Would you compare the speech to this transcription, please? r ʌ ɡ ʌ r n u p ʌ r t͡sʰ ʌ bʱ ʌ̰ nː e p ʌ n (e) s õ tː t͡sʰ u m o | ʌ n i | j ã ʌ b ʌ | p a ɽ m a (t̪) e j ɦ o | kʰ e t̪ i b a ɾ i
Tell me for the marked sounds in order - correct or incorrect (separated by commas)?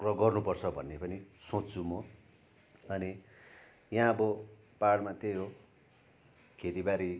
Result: incorrect, correct